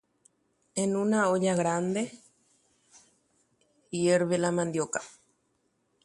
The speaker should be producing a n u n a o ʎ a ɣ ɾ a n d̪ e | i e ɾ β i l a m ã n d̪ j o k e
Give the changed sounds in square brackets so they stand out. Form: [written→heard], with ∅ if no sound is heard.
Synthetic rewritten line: [a→e] n u n a o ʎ a ɣ ɾ a n d̪ e | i e ɾ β [i→e] l a m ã n d̪ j o k [e→a]